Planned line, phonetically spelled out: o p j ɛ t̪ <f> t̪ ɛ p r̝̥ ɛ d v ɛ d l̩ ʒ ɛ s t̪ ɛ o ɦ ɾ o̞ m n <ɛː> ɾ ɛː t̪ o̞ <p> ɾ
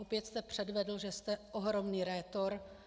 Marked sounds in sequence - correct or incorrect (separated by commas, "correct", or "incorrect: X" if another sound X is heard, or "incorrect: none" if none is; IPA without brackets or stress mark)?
incorrect: s, incorrect: iː, incorrect: none